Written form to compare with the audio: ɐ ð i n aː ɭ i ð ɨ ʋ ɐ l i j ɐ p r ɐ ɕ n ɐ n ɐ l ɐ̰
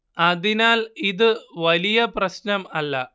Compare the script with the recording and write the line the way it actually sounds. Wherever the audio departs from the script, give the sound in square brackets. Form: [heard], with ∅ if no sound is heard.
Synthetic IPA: ɐ ð i n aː [l] i ð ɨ ʋ ɐ l i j ɐ p r ɐ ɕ n ɐ [m] ɐ [lː] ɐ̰